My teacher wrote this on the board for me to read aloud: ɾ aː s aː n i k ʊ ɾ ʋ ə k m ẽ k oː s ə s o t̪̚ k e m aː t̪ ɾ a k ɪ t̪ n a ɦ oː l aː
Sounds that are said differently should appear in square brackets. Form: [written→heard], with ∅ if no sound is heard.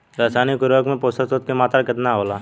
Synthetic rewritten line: ɾ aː s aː n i k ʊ ɾ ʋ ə k m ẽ [k→p] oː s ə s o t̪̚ k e m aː t̪ ɾ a k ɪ t̪ n a ɦ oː l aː